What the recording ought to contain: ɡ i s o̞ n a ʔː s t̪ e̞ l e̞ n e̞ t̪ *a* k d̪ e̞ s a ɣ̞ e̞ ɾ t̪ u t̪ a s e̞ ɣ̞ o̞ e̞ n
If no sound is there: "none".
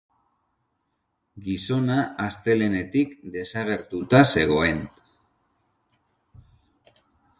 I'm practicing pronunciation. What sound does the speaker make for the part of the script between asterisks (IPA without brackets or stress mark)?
i